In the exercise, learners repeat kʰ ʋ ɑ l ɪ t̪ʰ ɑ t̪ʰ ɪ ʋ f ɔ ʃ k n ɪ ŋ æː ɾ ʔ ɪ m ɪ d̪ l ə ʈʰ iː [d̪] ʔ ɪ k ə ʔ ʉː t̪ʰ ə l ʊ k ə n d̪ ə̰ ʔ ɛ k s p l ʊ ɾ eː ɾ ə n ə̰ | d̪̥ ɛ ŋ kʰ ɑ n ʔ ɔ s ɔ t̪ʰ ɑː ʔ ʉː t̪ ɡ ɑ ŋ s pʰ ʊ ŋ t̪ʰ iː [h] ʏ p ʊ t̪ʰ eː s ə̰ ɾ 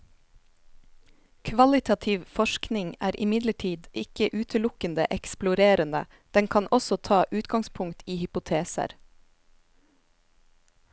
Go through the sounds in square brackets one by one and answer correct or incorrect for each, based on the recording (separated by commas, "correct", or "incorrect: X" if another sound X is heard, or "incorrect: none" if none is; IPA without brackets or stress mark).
correct, correct